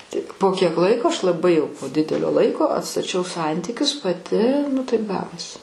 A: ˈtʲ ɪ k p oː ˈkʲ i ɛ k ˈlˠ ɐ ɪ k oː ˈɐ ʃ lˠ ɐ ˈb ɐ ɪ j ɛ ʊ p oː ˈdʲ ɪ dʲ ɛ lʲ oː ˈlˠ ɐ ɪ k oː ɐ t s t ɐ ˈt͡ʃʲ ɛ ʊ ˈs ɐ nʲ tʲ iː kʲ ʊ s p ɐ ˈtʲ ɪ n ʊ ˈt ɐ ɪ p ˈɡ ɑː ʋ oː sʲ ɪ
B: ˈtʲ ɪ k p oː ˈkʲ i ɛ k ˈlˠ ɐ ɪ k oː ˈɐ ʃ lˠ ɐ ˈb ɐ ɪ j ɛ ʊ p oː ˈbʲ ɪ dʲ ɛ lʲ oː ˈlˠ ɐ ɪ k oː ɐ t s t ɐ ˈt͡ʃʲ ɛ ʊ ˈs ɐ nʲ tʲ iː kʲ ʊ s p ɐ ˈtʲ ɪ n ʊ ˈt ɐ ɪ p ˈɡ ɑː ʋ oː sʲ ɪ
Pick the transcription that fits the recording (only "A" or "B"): A